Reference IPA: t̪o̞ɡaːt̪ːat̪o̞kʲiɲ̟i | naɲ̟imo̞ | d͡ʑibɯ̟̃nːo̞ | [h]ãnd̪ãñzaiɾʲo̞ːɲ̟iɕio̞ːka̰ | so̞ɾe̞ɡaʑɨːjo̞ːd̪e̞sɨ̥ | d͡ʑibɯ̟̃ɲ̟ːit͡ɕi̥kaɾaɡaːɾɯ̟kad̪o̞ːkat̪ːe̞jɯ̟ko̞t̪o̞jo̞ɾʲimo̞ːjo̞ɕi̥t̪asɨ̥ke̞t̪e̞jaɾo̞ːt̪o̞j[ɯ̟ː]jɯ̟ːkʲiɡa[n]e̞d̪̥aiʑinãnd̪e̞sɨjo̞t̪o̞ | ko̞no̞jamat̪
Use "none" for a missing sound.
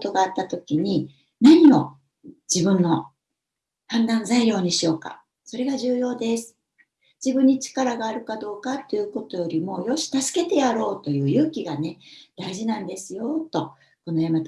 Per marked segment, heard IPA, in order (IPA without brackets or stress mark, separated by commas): h, ɯ̟ː, n